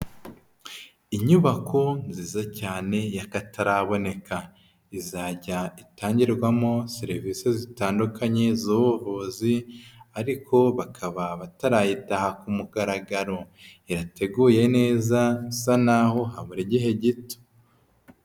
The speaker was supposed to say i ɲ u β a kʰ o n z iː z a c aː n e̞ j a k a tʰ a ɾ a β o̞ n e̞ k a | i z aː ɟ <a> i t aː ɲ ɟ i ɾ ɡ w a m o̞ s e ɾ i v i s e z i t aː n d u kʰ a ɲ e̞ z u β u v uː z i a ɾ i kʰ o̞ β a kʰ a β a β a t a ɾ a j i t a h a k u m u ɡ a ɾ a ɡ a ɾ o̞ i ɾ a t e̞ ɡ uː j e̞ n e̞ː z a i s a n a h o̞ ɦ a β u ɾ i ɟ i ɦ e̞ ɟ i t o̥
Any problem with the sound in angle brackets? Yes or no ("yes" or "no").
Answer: no